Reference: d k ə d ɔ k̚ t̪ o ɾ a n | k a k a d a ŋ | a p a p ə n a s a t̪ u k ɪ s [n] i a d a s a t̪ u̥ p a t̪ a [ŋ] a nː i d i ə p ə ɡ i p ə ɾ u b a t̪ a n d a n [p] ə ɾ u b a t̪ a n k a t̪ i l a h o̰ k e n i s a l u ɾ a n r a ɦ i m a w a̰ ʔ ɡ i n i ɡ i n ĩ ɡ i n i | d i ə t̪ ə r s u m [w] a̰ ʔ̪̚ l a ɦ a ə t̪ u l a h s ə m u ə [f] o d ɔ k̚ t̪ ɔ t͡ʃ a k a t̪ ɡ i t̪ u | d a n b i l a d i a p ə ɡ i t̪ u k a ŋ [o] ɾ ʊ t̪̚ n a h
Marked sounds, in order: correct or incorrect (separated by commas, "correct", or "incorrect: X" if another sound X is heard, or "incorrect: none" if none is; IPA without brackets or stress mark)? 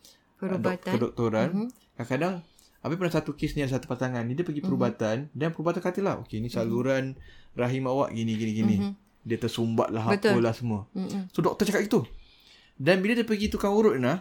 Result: correct, correct, correct, incorrect: b, incorrect: s, incorrect: u